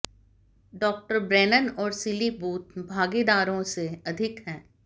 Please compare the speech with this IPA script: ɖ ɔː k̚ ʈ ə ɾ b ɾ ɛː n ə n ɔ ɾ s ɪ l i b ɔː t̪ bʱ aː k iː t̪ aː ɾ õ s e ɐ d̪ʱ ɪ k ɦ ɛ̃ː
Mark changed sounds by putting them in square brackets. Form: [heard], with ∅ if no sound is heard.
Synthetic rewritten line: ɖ ɔː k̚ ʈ ə ɾ b ɾ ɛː n ə n [ɔː] ɾ s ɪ l i b [uː] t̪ bʱ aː [ɡ] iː [d̪] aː ɾ õ s e ɐ d̪ʱ ɪ k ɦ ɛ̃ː